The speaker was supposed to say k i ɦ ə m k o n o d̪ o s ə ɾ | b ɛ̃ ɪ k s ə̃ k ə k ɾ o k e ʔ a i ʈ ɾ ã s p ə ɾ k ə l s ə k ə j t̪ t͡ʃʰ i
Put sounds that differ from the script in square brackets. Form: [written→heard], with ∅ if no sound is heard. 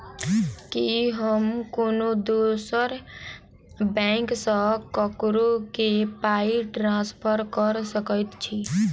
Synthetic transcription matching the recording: k i ɦ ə m k o n o d̪ o s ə ɾ | b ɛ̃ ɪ k s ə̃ k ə k ɾ o k e [ʔ→p] a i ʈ ɾ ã s [p→pʰ] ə ɾ k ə [l→ɾ] s ə k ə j t̪ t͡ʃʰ i